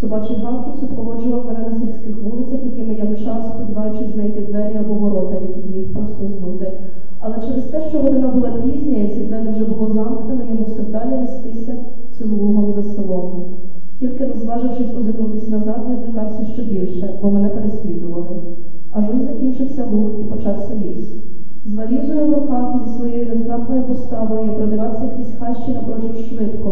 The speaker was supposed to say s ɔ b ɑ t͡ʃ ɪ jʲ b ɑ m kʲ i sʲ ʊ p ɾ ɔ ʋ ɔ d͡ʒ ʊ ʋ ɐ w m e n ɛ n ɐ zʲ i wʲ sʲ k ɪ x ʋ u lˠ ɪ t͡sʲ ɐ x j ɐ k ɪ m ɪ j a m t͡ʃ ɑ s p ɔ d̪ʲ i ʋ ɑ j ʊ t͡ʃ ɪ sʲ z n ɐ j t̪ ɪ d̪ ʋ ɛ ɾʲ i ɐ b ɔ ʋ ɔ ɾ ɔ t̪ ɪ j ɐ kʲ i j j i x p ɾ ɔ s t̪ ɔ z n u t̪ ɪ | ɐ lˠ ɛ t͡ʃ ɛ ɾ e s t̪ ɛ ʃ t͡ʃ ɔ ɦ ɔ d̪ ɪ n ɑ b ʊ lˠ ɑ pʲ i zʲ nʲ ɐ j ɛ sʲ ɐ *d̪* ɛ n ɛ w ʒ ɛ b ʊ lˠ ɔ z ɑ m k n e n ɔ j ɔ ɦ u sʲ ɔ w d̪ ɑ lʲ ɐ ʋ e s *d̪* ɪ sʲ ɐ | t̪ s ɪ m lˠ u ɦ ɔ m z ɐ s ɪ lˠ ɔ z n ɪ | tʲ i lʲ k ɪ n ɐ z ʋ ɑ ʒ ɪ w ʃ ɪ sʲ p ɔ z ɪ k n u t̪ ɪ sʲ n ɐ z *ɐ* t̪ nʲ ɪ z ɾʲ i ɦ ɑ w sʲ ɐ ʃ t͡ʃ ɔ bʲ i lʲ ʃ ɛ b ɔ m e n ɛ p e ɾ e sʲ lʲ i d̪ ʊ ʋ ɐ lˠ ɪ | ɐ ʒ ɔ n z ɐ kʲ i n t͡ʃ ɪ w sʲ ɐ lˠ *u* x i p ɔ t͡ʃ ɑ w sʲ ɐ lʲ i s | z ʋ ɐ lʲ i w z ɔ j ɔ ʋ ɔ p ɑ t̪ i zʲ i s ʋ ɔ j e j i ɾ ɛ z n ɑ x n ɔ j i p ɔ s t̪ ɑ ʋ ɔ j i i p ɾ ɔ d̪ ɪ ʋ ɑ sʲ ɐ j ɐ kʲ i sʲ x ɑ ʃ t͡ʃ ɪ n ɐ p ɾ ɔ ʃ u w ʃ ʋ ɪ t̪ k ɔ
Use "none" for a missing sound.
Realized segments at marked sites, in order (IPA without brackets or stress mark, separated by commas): d̪, t̪, ɑ, u